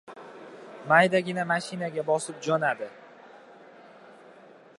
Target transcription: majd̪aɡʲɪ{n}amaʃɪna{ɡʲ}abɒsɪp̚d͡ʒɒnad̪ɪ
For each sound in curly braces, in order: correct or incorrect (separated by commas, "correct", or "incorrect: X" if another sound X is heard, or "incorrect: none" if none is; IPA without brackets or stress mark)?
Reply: correct, correct